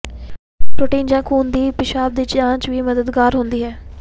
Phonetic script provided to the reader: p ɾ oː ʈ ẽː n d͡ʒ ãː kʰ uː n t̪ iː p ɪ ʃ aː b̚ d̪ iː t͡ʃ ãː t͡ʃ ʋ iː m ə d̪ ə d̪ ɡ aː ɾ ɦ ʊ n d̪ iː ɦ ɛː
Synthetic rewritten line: p ɾ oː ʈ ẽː n d͡ʒ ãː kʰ uː n d̪ iː p ɪ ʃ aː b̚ d̪ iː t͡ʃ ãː t͡ʃ ʋ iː m ə d̪ ə d̪ ɡ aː ɾ ɦ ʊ n d̪ iː ɦ ɛː